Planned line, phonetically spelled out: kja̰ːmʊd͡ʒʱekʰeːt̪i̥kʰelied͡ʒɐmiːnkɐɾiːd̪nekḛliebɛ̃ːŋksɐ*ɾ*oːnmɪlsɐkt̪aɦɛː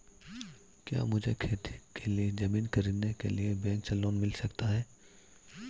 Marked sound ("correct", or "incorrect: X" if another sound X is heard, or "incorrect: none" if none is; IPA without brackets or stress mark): incorrect: l